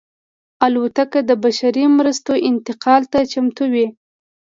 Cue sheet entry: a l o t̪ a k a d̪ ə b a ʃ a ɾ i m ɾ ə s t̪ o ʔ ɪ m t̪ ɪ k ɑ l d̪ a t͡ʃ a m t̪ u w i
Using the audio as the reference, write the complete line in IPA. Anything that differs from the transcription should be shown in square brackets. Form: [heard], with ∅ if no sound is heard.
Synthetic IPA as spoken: a l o t̪ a k a d̪ ə b a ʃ a ɾ i m ɾ ə s t̪ o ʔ ɪ [n] t̪ ɪ [q] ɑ l [t̪] a t͡ʃ a m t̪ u w i